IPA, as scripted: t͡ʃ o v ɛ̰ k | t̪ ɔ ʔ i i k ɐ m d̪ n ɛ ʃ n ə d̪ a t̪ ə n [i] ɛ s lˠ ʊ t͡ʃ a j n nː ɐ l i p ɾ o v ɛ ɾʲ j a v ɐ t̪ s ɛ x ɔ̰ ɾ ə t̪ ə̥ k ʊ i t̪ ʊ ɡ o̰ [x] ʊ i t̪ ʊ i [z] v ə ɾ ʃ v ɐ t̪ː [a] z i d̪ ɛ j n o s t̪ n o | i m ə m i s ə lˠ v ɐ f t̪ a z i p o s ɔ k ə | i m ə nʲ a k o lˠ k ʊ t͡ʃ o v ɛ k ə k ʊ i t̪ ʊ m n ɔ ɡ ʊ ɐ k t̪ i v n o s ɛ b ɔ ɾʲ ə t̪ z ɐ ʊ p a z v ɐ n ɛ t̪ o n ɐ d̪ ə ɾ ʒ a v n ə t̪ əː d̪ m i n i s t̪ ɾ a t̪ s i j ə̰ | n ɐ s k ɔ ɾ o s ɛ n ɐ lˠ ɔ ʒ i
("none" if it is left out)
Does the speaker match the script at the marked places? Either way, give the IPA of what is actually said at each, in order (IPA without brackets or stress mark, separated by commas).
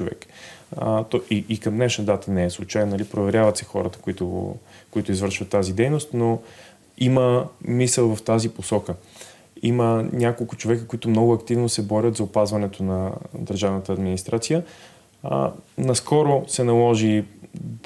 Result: ɛ, k, z, a